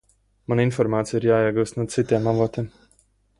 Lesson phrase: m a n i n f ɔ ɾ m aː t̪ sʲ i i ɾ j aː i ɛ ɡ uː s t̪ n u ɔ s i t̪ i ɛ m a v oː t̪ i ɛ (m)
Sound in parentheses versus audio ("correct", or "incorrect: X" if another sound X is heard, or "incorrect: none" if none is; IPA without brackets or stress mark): correct